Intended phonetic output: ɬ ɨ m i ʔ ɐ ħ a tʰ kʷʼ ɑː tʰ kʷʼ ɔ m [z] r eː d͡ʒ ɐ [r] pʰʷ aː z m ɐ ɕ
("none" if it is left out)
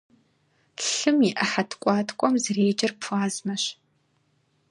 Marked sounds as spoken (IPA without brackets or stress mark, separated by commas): z, r